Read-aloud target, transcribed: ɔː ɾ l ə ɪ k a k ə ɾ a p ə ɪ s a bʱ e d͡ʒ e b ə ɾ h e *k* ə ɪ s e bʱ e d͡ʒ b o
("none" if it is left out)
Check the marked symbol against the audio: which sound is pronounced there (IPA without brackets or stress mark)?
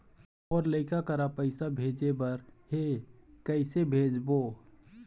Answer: k